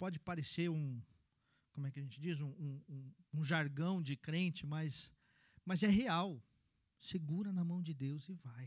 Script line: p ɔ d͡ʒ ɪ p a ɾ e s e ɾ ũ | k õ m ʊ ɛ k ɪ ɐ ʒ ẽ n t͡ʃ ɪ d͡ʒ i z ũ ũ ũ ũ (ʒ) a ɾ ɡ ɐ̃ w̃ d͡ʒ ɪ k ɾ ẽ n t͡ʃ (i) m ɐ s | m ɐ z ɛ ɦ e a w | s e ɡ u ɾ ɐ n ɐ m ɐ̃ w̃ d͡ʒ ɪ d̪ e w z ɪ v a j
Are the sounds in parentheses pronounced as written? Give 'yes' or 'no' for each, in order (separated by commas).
yes, no